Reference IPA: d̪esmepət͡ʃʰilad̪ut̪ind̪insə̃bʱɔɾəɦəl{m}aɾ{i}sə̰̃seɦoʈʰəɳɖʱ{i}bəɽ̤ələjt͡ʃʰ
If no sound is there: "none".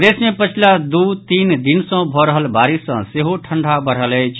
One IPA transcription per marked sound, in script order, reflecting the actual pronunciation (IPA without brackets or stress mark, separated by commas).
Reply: b, i, a